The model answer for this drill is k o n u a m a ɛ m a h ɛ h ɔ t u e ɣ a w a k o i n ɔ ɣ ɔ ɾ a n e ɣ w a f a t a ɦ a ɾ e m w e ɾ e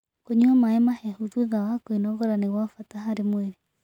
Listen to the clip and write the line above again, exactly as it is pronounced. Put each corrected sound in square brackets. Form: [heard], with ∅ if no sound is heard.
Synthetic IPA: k o [ɲ] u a m a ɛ m a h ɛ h [u] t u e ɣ a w a k o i n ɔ ɣ ɔ ɾ a n e ɣ w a f a t a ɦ a ɾ e m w e ɾ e